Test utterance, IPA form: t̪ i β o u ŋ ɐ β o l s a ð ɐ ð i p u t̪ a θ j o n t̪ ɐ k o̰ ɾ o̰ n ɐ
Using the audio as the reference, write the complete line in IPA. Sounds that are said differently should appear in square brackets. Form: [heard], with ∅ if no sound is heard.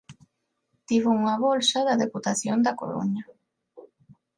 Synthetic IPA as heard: t̪ i β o u ŋ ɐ β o l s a ð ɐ ð [e] p u t̪ a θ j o n [d̪] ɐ k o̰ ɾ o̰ [ɲ] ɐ